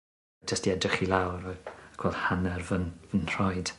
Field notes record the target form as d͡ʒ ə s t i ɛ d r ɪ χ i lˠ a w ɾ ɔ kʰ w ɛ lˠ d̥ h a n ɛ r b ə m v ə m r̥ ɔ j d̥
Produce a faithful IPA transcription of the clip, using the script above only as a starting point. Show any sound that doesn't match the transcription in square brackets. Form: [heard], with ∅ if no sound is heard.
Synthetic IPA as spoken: d͡ʒ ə s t i ɛ d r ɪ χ i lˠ a w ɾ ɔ kʰ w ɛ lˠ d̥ h a n ɛ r [v] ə [n] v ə [n] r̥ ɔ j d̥